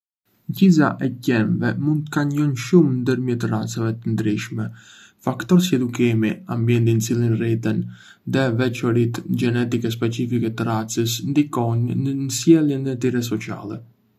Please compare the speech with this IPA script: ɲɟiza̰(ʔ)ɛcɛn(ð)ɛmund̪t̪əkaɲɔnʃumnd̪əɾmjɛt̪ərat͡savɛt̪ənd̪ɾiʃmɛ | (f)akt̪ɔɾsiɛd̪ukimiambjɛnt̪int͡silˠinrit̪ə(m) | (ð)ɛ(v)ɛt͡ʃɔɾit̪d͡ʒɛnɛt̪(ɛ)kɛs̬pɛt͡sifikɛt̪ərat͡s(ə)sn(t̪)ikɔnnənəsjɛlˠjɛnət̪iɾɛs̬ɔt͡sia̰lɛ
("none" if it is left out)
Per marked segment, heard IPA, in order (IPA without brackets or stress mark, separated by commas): ʔ, v, f, n, ð, v, i, ə, d̪